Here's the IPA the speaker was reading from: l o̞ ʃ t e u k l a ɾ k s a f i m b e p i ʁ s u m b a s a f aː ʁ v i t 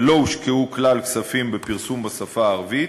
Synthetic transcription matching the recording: l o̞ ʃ k e u k l a l k s a f i m b e p i ʁ s u m b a s a f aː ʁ v i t